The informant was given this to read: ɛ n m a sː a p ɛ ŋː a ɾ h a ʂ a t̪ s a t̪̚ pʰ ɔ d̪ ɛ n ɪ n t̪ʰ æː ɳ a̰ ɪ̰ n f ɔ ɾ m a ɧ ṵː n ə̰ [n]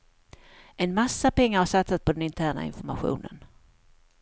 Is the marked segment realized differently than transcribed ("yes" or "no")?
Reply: no